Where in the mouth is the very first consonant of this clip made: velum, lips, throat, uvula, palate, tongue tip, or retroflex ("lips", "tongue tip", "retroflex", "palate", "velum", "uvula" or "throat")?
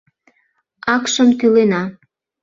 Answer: velum